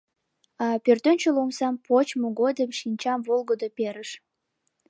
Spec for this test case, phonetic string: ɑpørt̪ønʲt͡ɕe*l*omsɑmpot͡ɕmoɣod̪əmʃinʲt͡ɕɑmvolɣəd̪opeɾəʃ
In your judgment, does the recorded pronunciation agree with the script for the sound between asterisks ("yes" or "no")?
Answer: yes